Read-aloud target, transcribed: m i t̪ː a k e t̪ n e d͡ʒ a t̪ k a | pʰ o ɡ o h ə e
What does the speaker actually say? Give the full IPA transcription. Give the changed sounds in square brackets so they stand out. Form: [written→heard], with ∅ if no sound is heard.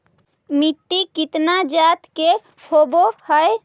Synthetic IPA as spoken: m i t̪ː [a→i] k [e→i] t̪ n [e→a] d͡ʒ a t̪ k [a→e] | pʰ o [ɡ→b] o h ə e